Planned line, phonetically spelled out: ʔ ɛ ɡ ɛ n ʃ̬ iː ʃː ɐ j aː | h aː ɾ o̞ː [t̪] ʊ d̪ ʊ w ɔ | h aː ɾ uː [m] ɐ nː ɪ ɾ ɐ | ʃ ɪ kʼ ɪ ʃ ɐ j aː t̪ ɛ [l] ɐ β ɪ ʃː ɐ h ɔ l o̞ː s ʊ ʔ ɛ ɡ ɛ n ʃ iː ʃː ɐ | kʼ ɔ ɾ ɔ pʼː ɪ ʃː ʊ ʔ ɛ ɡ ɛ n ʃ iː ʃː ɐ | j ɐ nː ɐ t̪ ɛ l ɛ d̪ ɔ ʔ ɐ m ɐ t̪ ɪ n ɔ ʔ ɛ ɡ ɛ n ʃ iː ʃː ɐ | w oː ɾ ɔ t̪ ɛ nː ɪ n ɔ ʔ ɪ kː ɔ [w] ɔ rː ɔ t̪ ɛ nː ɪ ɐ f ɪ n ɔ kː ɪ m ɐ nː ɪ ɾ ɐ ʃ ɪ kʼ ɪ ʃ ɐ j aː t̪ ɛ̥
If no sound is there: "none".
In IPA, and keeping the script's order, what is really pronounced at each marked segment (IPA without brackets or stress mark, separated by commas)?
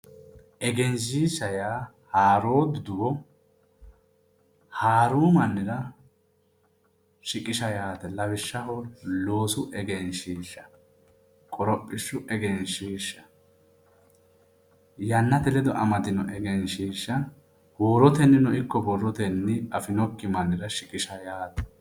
d̪, m, l, b